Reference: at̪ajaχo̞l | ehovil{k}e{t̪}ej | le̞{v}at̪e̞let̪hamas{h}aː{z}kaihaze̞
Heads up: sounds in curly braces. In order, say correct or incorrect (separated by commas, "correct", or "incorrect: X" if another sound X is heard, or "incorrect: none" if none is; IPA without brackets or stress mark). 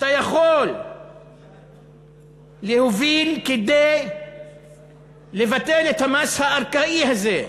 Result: correct, incorrect: d̪, correct, correct, incorrect: ʁ